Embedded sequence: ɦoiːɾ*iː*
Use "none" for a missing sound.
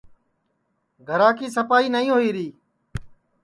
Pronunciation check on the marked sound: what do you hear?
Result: iː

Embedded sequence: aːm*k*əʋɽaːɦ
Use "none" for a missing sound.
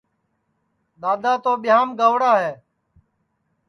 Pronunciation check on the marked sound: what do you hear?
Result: ɡ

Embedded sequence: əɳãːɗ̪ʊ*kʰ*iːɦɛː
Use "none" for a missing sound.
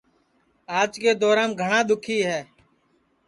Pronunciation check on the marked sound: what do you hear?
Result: kʰ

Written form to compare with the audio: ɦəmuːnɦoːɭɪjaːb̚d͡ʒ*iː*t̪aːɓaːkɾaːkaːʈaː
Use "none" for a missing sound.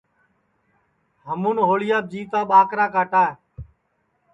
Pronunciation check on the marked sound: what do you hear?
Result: iː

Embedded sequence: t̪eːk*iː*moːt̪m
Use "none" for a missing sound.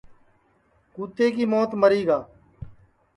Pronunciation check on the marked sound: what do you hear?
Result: iː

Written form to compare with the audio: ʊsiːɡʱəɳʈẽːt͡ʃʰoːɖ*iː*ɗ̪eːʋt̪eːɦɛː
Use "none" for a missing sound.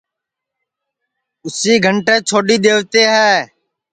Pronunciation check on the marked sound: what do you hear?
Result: iː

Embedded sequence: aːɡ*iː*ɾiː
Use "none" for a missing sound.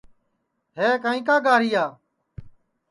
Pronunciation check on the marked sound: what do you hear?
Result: aː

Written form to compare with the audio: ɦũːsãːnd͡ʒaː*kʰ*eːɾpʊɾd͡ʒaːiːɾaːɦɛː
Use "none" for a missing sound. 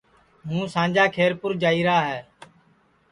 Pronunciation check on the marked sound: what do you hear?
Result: kʰ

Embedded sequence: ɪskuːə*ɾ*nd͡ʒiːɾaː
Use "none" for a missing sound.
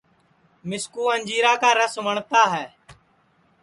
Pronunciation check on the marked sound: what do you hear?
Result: none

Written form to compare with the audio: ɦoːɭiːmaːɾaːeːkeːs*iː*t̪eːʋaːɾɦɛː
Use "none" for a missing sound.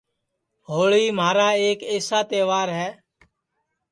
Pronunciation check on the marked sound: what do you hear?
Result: aː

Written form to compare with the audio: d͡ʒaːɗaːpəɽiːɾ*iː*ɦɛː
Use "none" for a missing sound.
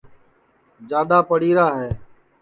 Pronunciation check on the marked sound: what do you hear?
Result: aː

